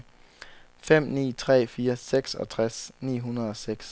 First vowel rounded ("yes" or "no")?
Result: no